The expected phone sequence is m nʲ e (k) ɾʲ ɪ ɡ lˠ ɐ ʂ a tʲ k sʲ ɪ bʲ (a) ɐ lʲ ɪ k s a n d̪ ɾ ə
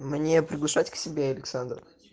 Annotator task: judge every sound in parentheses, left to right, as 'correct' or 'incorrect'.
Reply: incorrect, incorrect

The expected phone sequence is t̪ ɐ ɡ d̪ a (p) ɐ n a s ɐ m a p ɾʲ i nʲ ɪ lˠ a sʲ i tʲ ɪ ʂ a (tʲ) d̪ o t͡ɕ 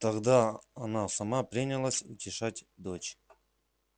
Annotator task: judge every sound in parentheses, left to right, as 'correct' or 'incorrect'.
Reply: incorrect, correct

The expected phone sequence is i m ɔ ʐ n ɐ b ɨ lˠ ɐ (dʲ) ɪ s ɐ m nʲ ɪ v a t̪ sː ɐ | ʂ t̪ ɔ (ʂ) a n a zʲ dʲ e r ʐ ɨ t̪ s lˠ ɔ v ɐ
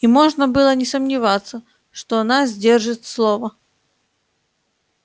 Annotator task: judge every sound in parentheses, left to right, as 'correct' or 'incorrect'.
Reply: incorrect, incorrect

